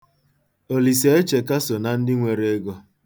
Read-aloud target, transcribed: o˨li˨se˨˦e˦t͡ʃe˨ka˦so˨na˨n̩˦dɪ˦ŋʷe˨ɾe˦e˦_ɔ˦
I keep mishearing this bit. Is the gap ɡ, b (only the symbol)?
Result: ɡ